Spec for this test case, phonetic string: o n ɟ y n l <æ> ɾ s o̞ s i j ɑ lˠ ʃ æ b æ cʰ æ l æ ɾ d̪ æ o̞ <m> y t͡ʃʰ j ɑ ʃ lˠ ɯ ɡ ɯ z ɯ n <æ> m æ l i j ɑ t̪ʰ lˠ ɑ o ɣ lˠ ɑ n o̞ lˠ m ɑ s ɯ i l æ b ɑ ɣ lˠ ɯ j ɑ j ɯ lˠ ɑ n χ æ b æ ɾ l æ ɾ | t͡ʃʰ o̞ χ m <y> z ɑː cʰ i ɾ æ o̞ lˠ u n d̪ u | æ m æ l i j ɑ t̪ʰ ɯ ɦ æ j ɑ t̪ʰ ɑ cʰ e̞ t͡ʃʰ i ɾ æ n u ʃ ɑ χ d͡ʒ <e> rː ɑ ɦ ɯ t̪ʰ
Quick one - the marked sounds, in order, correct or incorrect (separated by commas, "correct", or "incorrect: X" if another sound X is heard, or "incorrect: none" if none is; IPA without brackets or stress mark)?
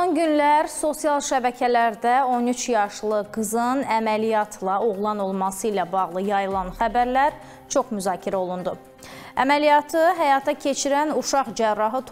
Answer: correct, incorrect: n, correct, correct, incorrect: æ